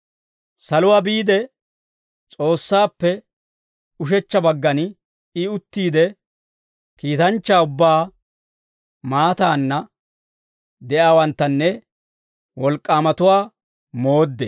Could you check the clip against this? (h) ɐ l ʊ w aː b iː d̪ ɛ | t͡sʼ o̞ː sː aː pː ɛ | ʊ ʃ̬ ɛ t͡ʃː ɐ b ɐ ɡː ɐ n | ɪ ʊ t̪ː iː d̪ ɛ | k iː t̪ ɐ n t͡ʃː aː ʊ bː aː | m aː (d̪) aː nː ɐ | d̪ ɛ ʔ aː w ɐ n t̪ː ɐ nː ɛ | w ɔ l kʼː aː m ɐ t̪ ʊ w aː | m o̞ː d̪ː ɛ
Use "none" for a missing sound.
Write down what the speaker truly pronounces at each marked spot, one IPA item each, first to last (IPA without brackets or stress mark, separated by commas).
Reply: s, t̪